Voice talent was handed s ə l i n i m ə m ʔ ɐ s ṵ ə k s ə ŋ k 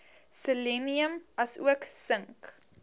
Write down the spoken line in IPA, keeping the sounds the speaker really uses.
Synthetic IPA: s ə l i n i ə m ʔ ɐ s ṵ ə k s ə ŋ k